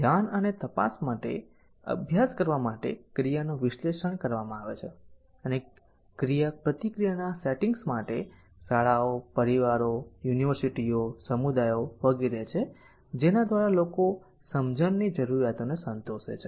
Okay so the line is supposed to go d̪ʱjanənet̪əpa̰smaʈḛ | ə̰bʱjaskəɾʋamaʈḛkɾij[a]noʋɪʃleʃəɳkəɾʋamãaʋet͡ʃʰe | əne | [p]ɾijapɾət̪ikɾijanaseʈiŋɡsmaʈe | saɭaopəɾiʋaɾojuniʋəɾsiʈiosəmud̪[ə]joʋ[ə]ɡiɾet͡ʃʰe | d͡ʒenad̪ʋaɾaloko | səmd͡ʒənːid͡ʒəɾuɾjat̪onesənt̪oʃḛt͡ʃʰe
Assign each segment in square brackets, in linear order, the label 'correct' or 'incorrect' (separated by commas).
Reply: correct, incorrect, incorrect, correct